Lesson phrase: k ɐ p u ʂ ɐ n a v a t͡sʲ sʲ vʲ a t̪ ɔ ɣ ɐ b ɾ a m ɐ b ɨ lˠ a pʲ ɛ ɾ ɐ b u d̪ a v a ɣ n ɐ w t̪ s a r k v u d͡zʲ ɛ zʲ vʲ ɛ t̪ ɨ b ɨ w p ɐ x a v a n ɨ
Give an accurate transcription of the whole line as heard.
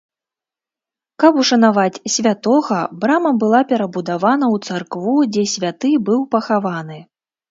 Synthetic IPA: k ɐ p u ʂ ɐ n a v a t͡sʲ sʲ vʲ a t̪ ɔ ɣ ɐ b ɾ a m ɐ b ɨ lˠ a pʲ ɛ ɾ ɐ b u d̪ a v a n ɐ w t̪ s a r k v u d͡zʲ ɛ sʲ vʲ a t̪ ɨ b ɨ w p ɐ x a v a n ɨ